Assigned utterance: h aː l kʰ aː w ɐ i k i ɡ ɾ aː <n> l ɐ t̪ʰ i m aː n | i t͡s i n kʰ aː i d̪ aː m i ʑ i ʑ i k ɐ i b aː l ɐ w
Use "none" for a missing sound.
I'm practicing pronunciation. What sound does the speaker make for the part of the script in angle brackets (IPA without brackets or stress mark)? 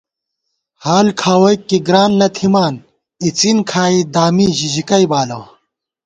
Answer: n